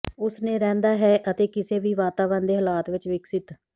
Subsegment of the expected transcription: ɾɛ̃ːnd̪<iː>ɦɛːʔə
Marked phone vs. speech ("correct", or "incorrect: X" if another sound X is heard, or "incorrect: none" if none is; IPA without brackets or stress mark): incorrect: aː